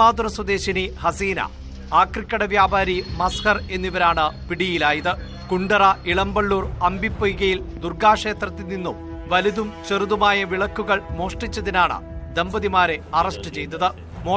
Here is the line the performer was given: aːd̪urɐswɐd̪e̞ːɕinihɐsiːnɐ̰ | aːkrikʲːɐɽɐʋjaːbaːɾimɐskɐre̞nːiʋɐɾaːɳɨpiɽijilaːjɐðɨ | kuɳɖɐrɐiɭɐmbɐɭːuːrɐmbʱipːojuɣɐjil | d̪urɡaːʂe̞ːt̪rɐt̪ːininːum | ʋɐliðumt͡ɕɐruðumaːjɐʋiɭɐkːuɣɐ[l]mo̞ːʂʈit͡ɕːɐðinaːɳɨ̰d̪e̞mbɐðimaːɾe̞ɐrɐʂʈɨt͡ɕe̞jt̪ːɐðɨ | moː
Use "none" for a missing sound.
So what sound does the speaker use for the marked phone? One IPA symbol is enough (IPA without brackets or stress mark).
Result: ɭ